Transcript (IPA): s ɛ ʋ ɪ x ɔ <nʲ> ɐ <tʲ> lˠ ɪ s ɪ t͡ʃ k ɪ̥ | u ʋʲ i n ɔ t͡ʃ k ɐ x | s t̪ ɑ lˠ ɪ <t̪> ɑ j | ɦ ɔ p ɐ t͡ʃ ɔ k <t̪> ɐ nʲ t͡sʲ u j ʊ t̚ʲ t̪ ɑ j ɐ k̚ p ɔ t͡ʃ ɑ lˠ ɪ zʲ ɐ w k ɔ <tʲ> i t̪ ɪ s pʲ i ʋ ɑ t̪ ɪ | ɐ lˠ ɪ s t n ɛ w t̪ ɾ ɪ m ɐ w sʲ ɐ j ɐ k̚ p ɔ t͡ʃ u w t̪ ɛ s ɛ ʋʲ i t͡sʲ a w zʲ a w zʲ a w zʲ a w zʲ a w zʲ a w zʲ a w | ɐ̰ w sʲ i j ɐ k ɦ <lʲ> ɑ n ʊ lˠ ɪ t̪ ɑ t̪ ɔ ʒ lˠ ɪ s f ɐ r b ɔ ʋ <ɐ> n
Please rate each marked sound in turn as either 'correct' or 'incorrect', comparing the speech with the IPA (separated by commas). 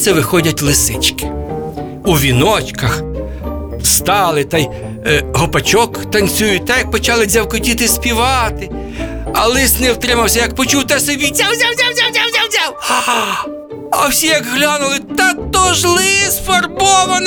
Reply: incorrect, correct, correct, correct, correct, correct, correct